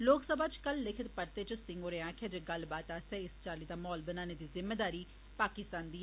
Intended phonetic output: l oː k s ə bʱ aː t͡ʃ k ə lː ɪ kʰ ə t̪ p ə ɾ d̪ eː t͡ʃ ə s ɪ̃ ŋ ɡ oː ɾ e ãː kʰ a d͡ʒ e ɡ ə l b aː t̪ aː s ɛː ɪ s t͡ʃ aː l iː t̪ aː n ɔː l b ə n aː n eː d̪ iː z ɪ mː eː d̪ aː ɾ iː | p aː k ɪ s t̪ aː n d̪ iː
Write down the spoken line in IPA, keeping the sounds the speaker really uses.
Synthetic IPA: l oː k s ə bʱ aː t͡ʃ k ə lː ɪ kʰ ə t̪ p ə ɾ t̪ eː t͡ʃ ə s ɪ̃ ŋ ɡ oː ɾ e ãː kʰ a d͡ʒ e ɡ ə l b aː t̪ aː s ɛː ɪ s t͡ʃ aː l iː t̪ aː m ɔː l b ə n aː n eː d̪ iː z ɪ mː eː d̪ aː ɾ iː | p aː k ɪ s t̪ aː n d̪ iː